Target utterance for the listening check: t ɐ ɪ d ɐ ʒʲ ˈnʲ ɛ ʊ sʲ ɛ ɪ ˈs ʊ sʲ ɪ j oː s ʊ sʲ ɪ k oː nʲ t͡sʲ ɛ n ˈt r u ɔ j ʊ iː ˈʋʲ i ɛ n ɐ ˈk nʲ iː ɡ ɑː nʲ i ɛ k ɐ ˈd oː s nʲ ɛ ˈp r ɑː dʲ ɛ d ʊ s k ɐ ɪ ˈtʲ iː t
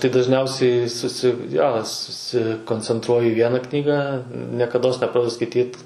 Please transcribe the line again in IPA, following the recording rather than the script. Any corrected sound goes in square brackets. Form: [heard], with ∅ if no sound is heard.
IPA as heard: t ɐ ɪ d ɐ ʒʲ ˈnʲ ɛ ʊ sʲ ɛ ɪ ˈs ʊ sʲ ɪ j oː s ʊ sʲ ɪ k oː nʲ t͡sʲ ɛ n ˈt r u ɔ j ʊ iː ˈʋʲ i ɛ n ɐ ˈk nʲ iː ɡ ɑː nʲ i ɛ k ɐ ˈd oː s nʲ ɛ ˈp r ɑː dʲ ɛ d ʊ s k ɐ ɪ ˈtʲ iː t